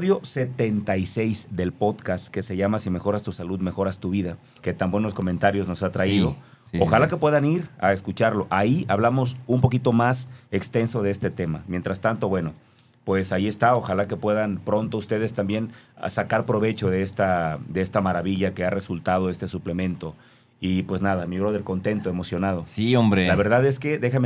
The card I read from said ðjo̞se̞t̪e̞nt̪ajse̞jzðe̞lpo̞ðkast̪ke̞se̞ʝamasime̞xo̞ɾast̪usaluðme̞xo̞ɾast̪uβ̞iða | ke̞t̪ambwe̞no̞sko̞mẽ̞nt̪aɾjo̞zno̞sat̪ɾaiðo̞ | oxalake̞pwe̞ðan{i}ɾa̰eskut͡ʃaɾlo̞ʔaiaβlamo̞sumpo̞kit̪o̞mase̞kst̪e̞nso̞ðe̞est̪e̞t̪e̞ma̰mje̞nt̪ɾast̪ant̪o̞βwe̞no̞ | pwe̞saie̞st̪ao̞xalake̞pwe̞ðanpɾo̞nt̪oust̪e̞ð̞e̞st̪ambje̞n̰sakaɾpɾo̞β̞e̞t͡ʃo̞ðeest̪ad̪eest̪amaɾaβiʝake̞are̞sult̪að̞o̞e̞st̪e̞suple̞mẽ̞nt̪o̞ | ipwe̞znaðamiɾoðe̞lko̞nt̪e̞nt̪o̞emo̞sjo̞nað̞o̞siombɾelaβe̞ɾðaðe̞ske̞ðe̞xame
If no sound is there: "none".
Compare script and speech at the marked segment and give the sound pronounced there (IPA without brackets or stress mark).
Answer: i